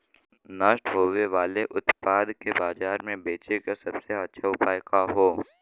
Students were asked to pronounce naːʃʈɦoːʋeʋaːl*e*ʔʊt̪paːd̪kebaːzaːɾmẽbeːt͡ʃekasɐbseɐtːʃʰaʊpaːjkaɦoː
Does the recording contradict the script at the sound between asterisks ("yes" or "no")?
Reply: no